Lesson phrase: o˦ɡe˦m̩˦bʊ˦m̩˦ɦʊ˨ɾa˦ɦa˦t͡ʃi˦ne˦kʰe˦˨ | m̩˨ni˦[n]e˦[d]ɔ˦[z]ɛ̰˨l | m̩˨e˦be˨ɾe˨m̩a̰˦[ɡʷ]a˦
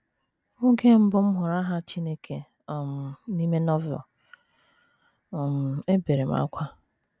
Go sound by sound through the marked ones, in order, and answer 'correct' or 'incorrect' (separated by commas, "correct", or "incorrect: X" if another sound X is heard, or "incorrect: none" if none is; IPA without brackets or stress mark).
incorrect: m, incorrect: n, incorrect: v, incorrect: kʷ